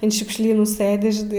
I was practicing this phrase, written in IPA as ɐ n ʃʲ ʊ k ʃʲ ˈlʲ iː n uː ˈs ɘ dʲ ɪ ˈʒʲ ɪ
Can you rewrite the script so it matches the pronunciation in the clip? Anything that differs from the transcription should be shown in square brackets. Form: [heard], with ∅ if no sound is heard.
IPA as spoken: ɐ n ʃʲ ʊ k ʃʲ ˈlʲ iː n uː ˈs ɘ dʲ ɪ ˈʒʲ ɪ